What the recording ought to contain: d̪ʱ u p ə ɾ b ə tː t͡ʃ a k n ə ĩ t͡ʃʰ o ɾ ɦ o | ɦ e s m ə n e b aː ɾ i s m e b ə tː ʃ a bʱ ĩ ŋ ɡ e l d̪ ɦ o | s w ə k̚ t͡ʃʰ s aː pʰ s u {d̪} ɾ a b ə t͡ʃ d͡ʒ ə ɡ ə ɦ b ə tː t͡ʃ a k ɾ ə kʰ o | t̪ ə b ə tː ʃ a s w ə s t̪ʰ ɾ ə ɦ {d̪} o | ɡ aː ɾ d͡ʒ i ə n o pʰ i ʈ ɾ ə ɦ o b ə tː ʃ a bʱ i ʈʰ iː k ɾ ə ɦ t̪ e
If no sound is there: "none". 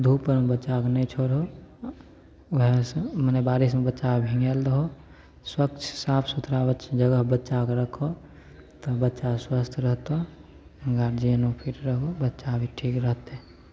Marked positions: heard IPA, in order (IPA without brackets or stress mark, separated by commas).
t̪, t̪